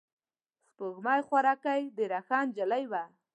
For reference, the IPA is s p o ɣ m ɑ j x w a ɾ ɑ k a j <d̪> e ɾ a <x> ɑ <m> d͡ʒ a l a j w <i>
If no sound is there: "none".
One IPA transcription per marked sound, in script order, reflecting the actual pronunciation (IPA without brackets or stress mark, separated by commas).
d̪, x, n, a